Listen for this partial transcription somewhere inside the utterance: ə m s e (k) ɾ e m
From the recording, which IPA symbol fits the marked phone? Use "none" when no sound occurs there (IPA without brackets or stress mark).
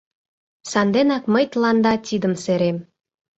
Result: none